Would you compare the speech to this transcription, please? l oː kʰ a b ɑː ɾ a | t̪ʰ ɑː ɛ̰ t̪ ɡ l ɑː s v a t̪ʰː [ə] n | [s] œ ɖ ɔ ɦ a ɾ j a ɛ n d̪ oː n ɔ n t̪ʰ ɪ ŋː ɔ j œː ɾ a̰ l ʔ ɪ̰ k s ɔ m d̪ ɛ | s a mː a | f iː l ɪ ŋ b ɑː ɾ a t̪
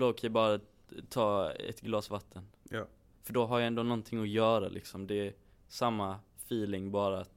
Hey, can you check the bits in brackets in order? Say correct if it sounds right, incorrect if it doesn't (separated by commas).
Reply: correct, incorrect